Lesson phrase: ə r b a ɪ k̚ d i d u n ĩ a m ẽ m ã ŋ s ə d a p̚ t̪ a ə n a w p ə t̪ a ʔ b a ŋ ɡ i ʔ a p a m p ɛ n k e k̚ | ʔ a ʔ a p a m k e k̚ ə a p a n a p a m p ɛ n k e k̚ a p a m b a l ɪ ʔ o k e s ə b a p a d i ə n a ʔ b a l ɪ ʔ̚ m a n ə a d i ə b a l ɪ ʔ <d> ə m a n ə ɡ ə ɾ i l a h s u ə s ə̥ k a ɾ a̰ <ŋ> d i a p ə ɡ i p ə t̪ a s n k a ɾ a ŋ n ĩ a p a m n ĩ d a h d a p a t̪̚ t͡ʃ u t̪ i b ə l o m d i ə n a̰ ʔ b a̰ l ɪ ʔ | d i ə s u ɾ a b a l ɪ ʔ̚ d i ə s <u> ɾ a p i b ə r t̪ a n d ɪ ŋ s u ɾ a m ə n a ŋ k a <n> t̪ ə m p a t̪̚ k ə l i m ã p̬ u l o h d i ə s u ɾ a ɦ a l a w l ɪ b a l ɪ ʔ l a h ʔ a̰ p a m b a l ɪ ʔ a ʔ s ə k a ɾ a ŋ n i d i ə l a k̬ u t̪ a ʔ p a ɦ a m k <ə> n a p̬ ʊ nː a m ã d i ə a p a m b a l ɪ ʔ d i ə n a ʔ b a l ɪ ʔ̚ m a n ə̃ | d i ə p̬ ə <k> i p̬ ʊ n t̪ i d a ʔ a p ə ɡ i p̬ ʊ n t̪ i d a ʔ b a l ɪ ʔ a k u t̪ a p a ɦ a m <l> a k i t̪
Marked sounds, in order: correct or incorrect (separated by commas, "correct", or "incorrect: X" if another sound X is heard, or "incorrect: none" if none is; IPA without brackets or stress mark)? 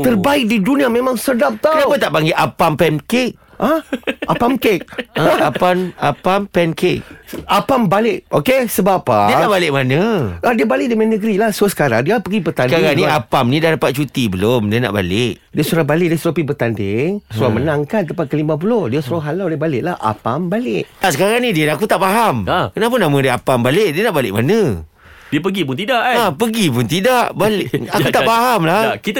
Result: correct, correct, correct, correct, correct, incorrect: ɡ, correct